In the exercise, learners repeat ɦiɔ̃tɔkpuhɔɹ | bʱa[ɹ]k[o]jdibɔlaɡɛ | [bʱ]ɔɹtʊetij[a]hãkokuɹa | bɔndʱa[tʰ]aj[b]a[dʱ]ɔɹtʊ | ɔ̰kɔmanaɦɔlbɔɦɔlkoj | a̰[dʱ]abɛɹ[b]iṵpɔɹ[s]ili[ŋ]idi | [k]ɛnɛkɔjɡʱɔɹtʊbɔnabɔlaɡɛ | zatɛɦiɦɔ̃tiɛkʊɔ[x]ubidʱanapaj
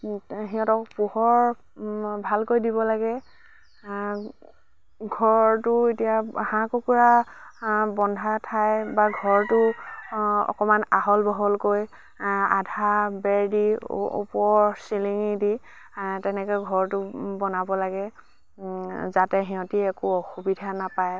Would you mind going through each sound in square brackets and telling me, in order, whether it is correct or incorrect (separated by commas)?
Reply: incorrect, correct, incorrect, correct, correct, correct, incorrect, correct, incorrect, correct, correct, incorrect, correct